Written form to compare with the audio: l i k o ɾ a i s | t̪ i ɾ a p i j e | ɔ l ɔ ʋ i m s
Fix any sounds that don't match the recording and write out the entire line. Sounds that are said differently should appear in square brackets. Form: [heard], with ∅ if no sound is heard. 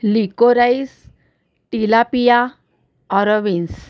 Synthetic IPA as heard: l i k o ɾ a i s | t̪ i [l] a p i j [a] | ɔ [ɾ] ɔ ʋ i [n] s